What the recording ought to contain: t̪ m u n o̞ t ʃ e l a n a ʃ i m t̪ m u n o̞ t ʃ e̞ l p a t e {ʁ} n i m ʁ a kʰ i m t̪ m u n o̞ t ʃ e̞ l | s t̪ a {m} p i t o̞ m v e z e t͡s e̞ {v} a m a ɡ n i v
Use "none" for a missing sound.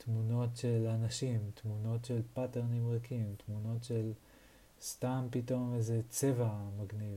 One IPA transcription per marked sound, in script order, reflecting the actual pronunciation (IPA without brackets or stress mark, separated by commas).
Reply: ʁ, m, v